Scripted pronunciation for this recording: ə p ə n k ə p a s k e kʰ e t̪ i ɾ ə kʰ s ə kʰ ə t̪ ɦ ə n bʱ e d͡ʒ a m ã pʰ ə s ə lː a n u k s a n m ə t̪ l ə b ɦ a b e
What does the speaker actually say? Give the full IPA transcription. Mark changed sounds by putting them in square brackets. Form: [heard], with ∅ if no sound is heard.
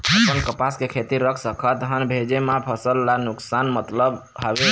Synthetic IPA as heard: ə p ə n k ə p a s k e kʰ e t̪ i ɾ ə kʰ s ə kʰ ə t̪ ɦ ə n bʱ e d͡ʒ [e] m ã pʰ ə s ə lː a n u k s a n m ə t̪ l ə b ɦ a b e

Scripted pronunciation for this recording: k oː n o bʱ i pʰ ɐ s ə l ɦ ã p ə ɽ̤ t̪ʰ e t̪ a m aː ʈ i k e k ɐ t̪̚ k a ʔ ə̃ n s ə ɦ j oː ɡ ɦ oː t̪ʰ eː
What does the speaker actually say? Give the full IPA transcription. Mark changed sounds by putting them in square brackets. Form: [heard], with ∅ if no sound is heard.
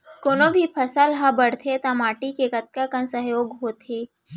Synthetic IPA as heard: k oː n o bʱ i pʰ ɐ s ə l ɦ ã [b] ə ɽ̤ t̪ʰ e t̪ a m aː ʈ i k e k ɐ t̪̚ k a [k] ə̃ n s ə ɦ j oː ɡ ɦ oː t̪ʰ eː

